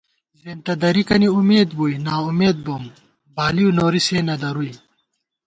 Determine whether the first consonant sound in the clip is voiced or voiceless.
voiced